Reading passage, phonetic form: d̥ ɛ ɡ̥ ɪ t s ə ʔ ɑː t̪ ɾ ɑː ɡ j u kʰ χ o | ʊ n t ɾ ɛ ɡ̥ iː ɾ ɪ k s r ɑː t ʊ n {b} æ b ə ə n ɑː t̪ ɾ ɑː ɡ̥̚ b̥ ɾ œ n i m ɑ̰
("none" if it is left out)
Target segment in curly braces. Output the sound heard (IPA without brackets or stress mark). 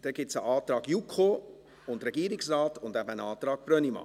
d